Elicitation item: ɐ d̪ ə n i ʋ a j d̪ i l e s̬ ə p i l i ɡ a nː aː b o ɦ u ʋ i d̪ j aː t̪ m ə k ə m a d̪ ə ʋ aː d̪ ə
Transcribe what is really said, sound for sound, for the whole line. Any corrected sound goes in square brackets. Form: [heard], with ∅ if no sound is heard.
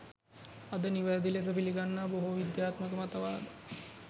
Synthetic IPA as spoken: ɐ d̪ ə n i ʋ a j d̪ i l e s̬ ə p i l i ɡ a nː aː b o ɦ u ʋ i d̪ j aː t̪ m ə k ə m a [t̪] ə ʋ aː d̪ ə